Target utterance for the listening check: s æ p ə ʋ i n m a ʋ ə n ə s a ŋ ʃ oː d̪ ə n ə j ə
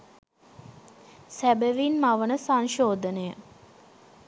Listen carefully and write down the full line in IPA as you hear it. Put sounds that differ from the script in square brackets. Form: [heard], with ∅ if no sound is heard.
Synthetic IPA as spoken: s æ [b] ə ʋ i n m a ʋ ə n ə s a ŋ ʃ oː d̪ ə n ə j ə